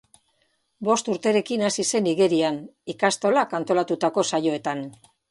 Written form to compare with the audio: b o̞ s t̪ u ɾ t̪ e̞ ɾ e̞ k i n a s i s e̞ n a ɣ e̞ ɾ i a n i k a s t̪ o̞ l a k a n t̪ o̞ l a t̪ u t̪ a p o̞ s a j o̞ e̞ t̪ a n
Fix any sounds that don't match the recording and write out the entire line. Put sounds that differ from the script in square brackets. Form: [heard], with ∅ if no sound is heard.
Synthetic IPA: b o̞ s t̪ u ɾ t̪ e̞ ɾ e̞ k i n a s i s e̞ n [i] ɣ e̞ ɾ i a n i k a s t̪ o̞ l a k a n t̪ o̞ l a t̪ u t̪ a [k] o̞ s a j o̞ e̞ t̪ a n